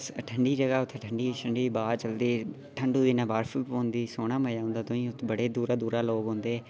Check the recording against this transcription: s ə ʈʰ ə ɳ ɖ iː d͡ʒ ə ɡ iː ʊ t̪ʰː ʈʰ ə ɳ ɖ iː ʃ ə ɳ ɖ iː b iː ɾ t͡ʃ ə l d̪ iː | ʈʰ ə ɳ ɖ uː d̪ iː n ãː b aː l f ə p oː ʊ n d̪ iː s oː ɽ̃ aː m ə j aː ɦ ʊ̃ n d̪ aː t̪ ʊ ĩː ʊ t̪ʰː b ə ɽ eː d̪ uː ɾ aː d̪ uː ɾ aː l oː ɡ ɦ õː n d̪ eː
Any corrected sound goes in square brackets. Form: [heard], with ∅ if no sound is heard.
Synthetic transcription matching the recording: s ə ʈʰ ə ɳ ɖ iː d͡ʒ ə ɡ [aː] ʊ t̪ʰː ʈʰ ə ɳ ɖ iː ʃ ə ɳ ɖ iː b [aː] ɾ t͡ʃ ə l d̪ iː | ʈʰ ə ɳ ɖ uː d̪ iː n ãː b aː [ɾ] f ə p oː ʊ n d̪ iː s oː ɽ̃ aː m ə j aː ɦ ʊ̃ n d̪ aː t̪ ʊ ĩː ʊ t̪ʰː b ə ɽ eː d̪ uː ɾ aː d̪ uː ɾ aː l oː ɡ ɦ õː n d̪ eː

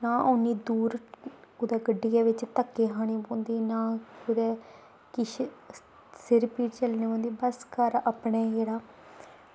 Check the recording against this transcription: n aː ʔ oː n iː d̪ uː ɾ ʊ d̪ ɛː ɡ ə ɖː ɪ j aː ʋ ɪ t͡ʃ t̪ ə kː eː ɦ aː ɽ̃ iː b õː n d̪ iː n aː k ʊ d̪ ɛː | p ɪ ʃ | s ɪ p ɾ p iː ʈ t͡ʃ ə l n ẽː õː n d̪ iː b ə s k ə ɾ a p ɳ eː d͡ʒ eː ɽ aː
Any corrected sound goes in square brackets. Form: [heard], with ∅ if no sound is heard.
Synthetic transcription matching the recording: n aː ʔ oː n iː d̪ uː ɾ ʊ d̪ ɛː ɡ ə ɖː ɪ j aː ʋ ɪ t͡ʃ t̪ ə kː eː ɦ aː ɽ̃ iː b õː n d̪ iː n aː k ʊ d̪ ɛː | [k] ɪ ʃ | s ɪ [∅] ɾ p iː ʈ t͡ʃ ə l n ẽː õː n d̪ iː b ə s k ə ɾ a p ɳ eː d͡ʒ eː ɽ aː

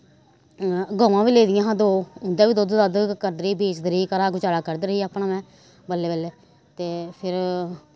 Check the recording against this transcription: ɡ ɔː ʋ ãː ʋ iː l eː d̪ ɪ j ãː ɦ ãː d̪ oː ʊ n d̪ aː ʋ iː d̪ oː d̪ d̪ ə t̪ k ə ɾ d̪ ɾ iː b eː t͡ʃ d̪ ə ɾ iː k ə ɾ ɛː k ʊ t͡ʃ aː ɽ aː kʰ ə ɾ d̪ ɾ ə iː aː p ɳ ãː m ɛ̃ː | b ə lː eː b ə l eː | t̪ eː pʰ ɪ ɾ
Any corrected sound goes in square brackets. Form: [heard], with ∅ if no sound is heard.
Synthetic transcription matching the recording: ɡ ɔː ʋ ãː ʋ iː l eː d̪ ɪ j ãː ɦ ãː d̪ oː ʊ n d̪ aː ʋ iː d̪ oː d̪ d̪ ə [d̪] k ə ɾ d̪ ɾ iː b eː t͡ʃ d̪ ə ɾ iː k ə ɾ [aː] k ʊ t͡ʃ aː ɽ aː [k] ə ɾ d̪ ɾ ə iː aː p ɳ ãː m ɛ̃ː | b ə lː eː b ə l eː | t̪ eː pʰ ɪ ɾ

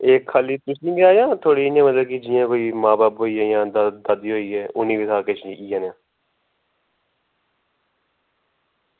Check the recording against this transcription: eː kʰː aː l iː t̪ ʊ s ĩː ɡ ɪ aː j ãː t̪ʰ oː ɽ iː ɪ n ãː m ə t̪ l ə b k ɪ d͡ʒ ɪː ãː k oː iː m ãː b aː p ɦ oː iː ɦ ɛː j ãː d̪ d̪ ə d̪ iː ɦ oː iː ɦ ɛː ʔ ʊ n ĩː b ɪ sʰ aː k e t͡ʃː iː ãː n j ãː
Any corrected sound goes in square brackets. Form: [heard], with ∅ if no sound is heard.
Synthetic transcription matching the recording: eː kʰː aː l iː t̪ ʊ s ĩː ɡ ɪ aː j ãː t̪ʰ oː ɽ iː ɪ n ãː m ə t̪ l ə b k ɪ d͡ʒ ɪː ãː k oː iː m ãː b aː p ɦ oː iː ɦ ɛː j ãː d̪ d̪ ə d̪ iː ɦ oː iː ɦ ɛː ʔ ʊ n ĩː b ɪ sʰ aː k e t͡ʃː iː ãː n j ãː

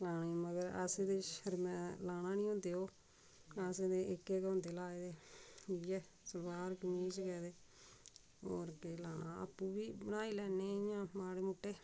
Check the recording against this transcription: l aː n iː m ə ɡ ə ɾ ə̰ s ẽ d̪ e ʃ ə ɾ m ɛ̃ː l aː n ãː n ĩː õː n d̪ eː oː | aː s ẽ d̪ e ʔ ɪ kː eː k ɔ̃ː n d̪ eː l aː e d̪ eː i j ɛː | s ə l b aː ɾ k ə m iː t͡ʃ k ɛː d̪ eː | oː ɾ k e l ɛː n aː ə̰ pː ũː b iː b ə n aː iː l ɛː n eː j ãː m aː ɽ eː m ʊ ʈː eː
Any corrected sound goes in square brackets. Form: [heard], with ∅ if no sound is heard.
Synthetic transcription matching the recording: l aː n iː m ə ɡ ə ɾ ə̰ s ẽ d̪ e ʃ ə ɾ m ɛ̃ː l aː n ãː n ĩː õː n d̪ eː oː | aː s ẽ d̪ e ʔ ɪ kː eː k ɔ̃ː n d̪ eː l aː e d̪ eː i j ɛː | s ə l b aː ɾ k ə m iː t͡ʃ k ɛː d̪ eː | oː ɾ k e l [aː] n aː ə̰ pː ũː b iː b ə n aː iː l ɛː n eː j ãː m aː ɽ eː m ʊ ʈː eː

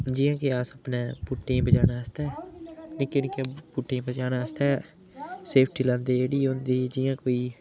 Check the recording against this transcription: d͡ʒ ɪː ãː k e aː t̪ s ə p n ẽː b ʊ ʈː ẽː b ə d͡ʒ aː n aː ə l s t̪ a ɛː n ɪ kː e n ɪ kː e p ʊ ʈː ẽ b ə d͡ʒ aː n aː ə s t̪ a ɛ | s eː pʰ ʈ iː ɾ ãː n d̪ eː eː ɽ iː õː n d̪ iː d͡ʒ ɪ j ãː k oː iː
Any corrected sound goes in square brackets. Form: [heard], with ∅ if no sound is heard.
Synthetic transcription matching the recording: d͡ʒ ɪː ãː k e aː [∅] s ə p n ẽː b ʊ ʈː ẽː b ə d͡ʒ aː n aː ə [∅] s t̪ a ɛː n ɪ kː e n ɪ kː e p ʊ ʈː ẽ b ə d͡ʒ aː n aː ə s t̪ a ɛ | s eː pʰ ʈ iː [l] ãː n d̪ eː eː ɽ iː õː n d̪ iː d͡ʒ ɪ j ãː k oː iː

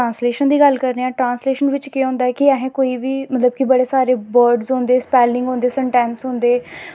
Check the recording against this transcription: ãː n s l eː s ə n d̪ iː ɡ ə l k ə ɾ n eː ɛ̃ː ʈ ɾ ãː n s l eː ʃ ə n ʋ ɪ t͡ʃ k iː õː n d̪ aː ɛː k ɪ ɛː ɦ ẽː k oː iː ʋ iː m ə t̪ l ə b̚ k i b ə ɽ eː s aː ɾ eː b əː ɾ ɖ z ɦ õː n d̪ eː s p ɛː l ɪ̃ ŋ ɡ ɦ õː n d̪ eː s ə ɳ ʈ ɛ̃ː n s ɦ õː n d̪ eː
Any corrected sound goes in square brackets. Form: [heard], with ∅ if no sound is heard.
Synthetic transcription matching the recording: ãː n s l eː [ʃ] ə n d̪ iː ɡ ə l k ə ɾ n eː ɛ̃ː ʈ ɾ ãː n s l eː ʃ ə n ʋ ɪ t͡ʃ k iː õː n d̪ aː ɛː k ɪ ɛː ɦ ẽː k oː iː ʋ iː m ə t̪ l ə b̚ k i b ə ɽ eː s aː ɾ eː b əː ɾ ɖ z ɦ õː n d̪ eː s p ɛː l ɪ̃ ŋ ɡ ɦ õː n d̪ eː s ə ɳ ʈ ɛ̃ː n s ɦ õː n d̪ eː

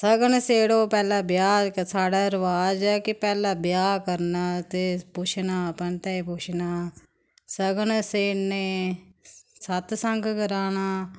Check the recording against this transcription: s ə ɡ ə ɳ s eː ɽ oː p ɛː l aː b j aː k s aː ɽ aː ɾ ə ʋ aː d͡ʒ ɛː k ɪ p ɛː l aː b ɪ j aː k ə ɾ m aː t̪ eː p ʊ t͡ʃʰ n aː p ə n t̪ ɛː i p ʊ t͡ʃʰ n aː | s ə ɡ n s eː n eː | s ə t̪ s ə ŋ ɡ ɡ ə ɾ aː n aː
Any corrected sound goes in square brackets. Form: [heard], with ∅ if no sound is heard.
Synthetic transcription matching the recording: s ə ɡ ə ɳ s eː ɽ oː p ɛː l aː b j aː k s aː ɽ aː ɾ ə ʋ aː d͡ʒ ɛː k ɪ p ɛː l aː b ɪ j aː k ə ɾ [n] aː t̪ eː p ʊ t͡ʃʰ n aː p ə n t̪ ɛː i p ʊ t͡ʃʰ n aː | s ə ɡ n s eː n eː | s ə t̪ s ə ŋ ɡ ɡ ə ɾ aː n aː

